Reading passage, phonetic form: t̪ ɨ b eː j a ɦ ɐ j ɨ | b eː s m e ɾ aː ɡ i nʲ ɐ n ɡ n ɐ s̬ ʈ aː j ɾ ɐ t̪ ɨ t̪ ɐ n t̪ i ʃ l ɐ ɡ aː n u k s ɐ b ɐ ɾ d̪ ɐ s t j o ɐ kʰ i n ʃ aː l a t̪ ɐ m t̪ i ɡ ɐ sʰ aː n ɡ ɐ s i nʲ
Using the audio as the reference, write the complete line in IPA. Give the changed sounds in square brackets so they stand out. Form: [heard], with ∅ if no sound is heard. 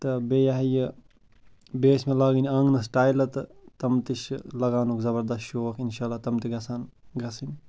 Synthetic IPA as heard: t̪ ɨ b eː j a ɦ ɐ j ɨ | b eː s m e [l] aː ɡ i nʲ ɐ [ŋ] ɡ n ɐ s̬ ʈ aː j [l] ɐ t̪ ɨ t̪ ɐ [m] t̪ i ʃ l ɐ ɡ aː n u k [z] ɐ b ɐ ɾ d̪ ɐ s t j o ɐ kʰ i n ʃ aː l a t̪ ɐ m t̪ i ɡ ɐ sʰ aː n ɡ ɐ s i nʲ